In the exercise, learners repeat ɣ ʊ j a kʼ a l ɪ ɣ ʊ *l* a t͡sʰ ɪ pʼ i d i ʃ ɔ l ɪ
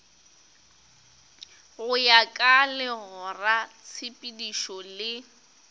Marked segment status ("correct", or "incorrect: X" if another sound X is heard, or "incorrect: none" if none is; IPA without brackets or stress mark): incorrect: r